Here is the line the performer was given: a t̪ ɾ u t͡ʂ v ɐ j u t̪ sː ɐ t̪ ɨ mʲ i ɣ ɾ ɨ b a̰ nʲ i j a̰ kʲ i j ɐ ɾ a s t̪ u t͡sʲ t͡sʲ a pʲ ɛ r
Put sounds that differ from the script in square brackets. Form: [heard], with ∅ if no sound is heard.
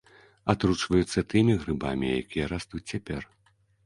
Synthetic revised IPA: a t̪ ɾ u t͡ʂ v ɐ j u t̪ sː ɐ t̪ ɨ mʲ i ɣ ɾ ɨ b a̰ [mʲ] i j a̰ kʲ i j ɐ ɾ a s t̪ u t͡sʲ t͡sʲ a pʲ ɛ r

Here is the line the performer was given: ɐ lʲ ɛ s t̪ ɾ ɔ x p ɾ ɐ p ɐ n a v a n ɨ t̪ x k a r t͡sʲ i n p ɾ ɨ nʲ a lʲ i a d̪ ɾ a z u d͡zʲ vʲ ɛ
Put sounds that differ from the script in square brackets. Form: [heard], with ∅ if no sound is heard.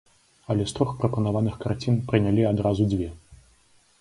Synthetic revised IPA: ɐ lʲ ɛ s t̪ ɾ ɔ x p ɾ ɐ p ɐ n a v a n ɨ [∅] x k a r t͡sʲ i n p ɾ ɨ nʲ a lʲ i a d̪ ɾ a z u d͡zʲ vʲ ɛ

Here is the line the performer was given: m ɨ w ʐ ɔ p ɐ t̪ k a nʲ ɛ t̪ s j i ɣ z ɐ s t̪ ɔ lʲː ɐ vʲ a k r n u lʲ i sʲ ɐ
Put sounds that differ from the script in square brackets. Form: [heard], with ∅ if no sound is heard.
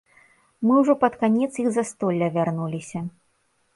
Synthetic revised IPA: m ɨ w ʐ ɔ p ɐ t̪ k a nʲ ɛ t̪ s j i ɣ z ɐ s t̪ ɔ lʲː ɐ vʲ a [∅] r n u lʲ i sʲ ɐ

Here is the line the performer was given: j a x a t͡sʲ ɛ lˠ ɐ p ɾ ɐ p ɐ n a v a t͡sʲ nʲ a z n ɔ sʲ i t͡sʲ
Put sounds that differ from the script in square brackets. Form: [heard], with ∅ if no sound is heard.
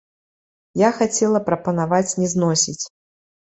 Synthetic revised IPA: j a x a t͡sʲ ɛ lˠ ɐ p ɾ ɐ p ɐ n a v a t͡sʲ nʲ [ɛ] z n ɔ sʲ i t͡sʲ

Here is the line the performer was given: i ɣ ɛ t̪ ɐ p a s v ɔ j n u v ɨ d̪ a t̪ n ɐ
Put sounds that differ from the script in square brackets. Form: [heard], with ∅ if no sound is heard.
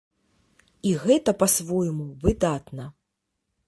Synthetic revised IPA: i ɣ ɛ t̪ ɐ p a s v ɔ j [m] u v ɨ d̪ a t̪ n ɐ

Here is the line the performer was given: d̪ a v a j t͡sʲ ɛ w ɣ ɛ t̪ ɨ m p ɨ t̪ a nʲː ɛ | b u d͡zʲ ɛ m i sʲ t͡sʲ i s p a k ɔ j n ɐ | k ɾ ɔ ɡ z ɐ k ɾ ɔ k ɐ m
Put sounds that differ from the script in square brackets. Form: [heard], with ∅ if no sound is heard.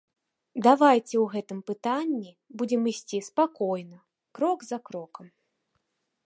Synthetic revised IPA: d̪ a v a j t͡sʲ ɛ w ɣ ɛ t̪ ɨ m p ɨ t̪ a nʲː [i] | b u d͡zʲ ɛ m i sʲ t͡sʲ i s p a k ɔ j n ɐ | k ɾ ɔ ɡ z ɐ k ɾ ɔ k ɐ m

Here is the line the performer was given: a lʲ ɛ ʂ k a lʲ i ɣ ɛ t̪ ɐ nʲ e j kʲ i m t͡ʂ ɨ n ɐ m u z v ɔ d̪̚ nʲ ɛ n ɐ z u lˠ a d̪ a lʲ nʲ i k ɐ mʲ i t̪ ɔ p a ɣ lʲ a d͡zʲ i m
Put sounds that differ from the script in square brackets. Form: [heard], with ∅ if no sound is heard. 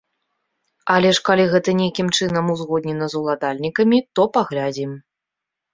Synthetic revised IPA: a lʲ ɛ ʂ k a lʲ i ɣ ɛ t̪ ɐ nʲ e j kʲ i m t͡ʂ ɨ n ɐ m u z [ɣ] ɔ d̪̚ nʲ ɛ n ɐ z u lˠ a d̪ a lʲ nʲ i k ɐ mʲ i t̪ ɔ p a ɣ lʲ a d͡zʲ i m

